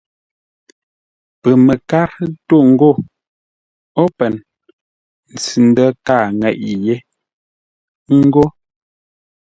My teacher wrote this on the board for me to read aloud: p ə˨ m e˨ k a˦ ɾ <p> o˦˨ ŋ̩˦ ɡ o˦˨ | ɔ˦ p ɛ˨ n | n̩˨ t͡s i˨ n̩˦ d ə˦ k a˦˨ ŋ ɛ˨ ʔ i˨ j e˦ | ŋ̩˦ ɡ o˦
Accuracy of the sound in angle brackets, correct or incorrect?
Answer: incorrect: t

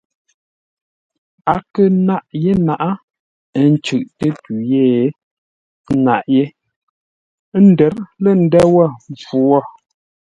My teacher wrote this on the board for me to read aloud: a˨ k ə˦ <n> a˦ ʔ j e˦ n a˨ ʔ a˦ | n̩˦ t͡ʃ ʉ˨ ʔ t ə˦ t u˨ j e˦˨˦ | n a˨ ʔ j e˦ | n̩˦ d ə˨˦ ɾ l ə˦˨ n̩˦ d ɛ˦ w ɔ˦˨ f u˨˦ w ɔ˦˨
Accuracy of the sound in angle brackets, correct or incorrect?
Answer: correct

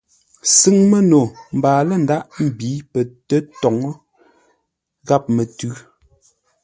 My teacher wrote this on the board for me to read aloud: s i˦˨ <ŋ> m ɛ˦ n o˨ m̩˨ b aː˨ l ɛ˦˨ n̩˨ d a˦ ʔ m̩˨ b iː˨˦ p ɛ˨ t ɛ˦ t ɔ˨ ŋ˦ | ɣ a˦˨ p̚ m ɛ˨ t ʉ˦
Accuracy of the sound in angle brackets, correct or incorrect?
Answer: correct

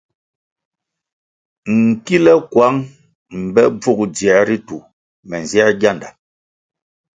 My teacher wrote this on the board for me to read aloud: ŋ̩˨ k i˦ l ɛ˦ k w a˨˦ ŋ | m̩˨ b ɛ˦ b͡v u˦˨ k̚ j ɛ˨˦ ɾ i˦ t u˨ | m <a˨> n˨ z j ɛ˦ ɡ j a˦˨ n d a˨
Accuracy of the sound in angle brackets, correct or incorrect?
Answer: incorrect: ɛ˨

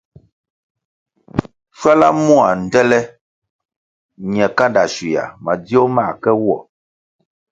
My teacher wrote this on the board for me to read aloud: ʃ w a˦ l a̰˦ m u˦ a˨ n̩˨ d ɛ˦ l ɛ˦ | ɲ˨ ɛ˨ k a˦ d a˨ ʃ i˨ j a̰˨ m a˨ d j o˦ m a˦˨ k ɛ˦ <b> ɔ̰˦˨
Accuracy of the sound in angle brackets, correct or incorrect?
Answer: incorrect: w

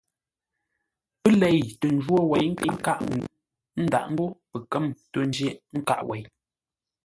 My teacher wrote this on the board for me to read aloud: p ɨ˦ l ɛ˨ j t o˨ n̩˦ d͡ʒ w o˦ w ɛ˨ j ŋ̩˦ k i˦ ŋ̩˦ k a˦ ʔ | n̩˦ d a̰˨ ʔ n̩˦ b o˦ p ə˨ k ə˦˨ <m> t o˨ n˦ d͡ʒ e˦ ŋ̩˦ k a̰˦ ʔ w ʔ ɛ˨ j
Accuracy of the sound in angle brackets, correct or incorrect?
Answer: correct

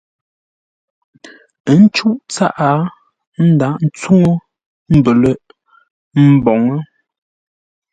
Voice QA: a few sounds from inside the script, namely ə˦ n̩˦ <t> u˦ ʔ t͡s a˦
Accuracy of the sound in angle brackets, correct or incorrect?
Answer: incorrect: t͡ʃ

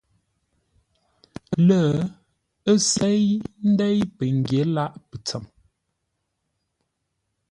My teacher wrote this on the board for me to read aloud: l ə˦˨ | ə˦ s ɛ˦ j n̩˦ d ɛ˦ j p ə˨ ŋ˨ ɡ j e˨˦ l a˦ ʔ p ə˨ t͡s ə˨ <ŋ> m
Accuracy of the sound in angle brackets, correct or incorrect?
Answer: incorrect: none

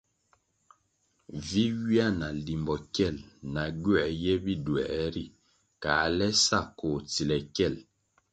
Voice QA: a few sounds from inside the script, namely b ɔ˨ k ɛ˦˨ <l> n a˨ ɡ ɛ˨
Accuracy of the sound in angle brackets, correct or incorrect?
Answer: correct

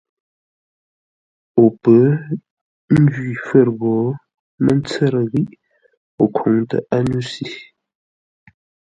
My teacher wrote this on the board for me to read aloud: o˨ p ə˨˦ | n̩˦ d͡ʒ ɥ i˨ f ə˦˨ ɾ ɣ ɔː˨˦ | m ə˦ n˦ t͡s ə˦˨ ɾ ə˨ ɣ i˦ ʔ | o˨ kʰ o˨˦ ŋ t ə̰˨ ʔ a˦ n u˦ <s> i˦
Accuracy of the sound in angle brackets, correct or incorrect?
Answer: correct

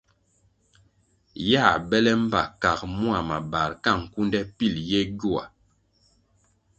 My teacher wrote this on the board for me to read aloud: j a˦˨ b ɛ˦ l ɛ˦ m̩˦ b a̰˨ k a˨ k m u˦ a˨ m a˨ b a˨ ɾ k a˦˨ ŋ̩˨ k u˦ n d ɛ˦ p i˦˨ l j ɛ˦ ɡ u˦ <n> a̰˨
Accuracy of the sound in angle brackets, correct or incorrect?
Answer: incorrect: none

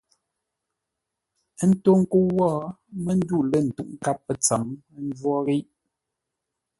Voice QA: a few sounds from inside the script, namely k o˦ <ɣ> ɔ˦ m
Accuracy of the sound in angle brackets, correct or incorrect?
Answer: incorrect: w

